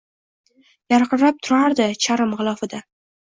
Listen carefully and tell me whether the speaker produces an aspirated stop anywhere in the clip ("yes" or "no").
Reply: yes